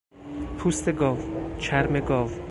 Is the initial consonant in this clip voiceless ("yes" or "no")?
yes